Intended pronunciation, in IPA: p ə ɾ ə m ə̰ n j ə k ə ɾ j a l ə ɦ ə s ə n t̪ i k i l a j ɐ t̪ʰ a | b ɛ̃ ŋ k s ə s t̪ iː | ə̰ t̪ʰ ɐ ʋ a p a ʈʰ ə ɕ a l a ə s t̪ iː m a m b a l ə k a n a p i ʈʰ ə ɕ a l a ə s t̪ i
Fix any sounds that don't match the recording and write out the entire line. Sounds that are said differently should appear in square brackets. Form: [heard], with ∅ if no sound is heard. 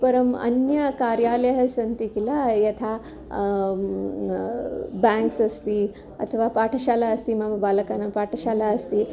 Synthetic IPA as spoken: p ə ɾ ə m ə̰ n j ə k [a] ɾ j a l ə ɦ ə s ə n t̪ i k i l a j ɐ t̪ʰ a | b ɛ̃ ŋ k s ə s t̪ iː | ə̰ t̪ʰ [ə] ʋ a p a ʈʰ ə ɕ a l a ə s t̪ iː m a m b a l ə k a n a p [a] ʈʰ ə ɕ a l a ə s t̪ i